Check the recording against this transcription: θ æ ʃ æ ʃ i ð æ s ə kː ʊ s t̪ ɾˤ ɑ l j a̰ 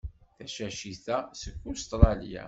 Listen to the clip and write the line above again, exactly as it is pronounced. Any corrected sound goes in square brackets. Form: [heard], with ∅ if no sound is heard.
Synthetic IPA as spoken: θ æ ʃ æ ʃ i [θ] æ s ə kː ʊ s t̪ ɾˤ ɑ l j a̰